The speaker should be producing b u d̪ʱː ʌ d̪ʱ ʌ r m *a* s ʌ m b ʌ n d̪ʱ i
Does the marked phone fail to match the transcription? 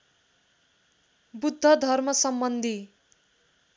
yes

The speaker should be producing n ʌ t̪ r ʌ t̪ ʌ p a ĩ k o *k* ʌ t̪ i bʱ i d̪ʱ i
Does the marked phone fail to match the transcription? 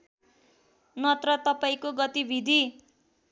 yes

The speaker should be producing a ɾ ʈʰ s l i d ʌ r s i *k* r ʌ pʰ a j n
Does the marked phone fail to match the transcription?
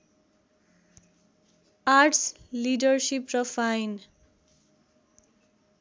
yes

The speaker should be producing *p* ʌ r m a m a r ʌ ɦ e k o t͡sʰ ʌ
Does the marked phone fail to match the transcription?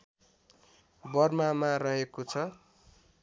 yes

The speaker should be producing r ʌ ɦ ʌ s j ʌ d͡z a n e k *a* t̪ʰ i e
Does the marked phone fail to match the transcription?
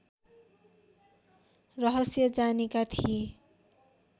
no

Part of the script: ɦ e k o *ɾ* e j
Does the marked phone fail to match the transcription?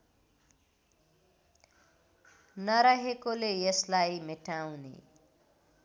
yes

